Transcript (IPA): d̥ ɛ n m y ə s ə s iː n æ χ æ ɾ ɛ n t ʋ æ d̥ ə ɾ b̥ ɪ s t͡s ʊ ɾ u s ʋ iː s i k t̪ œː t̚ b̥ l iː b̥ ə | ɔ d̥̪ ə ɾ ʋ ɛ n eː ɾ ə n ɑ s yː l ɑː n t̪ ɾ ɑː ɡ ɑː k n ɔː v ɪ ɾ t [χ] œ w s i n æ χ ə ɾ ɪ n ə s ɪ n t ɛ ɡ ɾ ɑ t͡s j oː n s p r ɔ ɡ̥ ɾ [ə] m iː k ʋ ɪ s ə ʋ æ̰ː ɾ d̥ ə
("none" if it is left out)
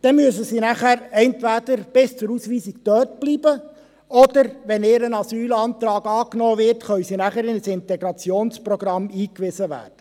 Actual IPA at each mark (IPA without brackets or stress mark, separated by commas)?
χ, ɑ